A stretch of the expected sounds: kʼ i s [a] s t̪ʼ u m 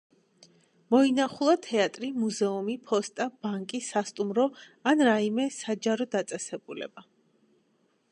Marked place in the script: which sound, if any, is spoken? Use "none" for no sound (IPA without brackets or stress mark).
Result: a